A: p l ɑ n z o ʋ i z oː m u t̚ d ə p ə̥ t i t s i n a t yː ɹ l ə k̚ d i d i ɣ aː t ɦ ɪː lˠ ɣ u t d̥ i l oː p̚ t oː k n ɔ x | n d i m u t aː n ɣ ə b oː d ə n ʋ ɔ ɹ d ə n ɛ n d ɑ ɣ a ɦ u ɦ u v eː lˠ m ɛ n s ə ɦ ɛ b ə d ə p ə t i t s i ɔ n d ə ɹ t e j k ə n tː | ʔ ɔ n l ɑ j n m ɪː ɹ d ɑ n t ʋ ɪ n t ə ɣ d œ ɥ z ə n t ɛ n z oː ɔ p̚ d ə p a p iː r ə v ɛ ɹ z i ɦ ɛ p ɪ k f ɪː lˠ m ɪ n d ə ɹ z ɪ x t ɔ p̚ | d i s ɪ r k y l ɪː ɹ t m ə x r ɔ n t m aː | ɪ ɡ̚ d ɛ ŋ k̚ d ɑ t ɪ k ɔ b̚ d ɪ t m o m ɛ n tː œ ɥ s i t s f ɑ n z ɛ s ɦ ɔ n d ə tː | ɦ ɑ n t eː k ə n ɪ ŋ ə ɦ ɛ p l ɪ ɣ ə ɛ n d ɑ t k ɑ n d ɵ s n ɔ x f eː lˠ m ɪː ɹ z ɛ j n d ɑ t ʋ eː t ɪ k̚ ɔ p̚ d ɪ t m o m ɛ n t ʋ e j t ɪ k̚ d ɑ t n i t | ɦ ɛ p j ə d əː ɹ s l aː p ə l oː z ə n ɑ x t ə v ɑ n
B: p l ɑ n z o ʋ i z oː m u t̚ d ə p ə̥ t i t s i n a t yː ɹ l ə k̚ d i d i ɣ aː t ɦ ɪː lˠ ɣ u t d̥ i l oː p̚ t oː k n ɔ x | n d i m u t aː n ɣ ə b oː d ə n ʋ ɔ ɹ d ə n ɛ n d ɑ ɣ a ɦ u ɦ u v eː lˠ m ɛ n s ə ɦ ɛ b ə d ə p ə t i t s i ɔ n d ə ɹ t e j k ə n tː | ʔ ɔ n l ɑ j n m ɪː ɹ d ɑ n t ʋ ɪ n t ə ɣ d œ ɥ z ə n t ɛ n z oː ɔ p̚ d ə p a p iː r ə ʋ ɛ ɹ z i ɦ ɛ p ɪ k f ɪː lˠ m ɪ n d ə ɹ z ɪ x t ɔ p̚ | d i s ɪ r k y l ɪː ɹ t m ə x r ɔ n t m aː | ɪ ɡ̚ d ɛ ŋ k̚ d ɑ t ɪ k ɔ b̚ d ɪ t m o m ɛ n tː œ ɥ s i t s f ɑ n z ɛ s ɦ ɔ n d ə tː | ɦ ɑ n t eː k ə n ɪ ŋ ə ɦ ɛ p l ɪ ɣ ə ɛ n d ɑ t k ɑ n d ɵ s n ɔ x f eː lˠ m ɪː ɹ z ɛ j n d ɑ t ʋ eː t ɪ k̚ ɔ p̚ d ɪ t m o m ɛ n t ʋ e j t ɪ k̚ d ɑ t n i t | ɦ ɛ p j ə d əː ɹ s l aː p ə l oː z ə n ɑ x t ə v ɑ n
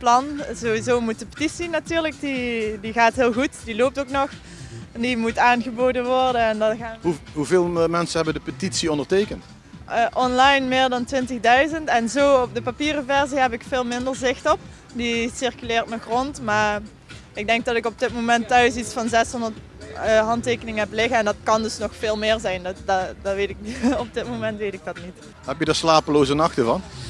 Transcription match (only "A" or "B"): A